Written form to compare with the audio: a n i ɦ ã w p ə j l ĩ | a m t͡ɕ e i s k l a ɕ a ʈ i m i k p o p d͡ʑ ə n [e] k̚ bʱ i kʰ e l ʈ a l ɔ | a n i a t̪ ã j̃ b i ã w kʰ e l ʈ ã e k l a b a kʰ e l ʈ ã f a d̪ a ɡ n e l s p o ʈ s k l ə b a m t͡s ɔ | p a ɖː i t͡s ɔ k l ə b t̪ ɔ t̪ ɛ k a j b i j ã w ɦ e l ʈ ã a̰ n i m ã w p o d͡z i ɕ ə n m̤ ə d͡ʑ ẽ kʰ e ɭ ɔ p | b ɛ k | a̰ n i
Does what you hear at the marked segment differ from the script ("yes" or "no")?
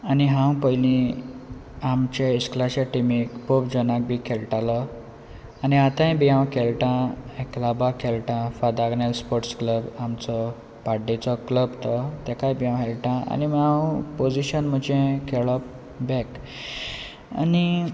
yes